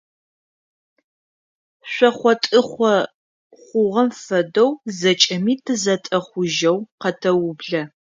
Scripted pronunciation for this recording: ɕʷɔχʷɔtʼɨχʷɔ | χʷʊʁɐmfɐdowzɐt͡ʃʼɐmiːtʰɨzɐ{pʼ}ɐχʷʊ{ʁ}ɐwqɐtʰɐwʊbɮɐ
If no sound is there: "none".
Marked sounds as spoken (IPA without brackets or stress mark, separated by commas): tʼ, ʒ